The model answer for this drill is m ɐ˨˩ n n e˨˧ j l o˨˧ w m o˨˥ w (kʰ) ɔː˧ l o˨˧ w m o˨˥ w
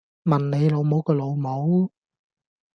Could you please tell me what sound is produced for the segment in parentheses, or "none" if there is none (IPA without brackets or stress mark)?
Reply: k